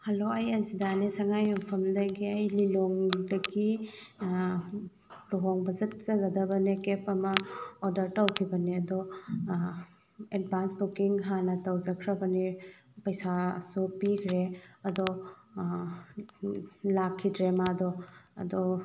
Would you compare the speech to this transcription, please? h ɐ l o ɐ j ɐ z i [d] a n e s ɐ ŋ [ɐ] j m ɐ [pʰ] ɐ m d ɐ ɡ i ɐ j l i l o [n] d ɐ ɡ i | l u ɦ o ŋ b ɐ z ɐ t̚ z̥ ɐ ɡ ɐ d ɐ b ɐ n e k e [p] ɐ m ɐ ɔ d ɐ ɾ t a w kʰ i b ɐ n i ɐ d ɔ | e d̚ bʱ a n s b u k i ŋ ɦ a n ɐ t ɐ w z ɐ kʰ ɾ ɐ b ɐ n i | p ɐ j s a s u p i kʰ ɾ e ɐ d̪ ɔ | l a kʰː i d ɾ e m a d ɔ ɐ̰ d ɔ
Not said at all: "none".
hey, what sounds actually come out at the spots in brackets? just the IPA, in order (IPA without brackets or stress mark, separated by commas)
d, a, pʰ, ŋ, p